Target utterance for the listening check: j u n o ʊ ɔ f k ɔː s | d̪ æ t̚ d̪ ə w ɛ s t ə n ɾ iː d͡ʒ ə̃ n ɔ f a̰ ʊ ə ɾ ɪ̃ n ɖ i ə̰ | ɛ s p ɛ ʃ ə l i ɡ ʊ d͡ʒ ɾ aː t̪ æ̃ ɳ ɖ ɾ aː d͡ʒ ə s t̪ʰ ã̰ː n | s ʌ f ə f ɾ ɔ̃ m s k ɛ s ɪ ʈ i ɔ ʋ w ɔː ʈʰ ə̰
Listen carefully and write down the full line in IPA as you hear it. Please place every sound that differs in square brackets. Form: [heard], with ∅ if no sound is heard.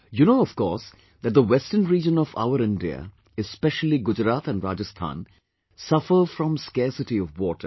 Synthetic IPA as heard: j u n o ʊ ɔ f k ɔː s | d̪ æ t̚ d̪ ə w ɛ s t ə n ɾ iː d͡ʒ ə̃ n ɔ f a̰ ʊ ə ɾ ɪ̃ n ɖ i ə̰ | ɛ s p ɛ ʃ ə l i ɡ ʊ d͡ʒ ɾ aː t̪ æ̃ [n] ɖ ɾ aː d͡ʒ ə s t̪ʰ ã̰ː n | s ʌ f ə f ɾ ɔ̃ m s k ɛ s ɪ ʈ i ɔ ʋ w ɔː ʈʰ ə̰